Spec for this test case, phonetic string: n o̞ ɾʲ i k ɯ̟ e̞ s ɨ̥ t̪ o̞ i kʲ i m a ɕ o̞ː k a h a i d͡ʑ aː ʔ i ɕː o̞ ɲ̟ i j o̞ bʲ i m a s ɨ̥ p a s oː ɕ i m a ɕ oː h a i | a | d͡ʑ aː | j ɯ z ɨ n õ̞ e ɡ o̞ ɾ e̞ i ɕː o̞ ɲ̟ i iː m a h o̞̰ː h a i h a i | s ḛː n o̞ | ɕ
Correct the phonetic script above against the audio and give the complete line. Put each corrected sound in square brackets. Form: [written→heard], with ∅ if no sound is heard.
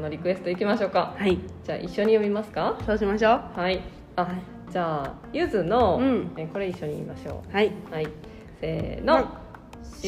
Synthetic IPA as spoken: n o̞ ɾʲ i k ɯ̟ e̞ s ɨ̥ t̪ o̞ i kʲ i m a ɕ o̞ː k a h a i d͡ʑ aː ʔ i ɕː o̞ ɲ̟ i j o̞ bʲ i m a s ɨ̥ [p→k] a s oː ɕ i m a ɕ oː h a i | a | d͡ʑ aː | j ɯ z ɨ n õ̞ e [ɡ→k] o̞ ɾ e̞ i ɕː o̞ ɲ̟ i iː m a [h→ɕ] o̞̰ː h a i h a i | s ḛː n o̞ | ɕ